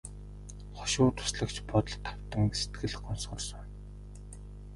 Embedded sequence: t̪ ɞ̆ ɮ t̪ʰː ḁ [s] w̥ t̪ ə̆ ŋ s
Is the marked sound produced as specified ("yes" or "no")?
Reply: no